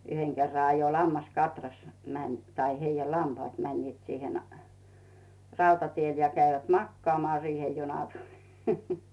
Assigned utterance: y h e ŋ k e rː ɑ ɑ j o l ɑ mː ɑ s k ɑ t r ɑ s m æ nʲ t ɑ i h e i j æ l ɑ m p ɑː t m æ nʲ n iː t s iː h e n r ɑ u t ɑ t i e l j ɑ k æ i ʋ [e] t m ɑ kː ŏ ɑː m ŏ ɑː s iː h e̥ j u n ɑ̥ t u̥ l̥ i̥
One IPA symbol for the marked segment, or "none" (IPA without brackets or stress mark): æ